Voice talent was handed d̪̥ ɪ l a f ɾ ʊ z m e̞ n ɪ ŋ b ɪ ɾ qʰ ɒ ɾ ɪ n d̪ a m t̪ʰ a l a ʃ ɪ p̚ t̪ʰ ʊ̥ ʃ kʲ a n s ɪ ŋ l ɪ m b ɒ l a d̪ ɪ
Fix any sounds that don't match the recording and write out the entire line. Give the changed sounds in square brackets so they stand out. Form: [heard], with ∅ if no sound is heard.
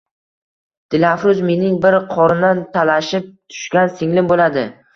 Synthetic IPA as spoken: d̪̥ ɪ l a f ɾ ʊ z m e̞ n ɪ ŋ b ɪ ɾ qʰ ɒ ɾ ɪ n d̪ a [n] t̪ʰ a l a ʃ ɪ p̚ t̪ʰ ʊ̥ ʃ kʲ a n s ɪ ŋ l ɪ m b [o] l a d̪ ɪ